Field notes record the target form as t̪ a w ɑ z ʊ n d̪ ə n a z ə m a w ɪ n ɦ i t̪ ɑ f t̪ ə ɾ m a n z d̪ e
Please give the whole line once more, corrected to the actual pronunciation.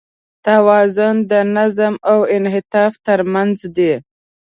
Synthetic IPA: t̪ a w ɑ z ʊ n d̪ ə n a z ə m a w ɪ n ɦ ɪ t̪ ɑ f t̪ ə ɾ m a n z d̪ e